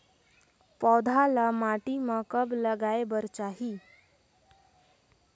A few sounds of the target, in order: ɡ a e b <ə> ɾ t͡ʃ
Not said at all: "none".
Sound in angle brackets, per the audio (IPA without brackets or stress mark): ə